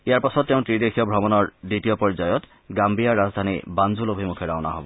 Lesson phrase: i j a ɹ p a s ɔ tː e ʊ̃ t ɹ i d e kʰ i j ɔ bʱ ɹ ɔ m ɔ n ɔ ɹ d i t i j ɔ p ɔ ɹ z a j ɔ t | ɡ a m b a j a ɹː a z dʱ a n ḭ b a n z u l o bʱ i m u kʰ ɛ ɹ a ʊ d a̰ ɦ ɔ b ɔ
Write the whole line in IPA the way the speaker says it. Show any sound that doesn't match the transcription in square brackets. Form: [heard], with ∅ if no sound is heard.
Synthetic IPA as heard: i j a ɹ p a s ɔ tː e ʊ̃ t ɹ i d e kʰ i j ɔ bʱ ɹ ɔ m ɔ n ɔ ɹ d i t i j ɔ p ɔ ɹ z a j ɔ t | ɡ a m b [i] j a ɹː a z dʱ a n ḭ b a n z u l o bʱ i m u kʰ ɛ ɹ a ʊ [n] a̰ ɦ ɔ b ɔ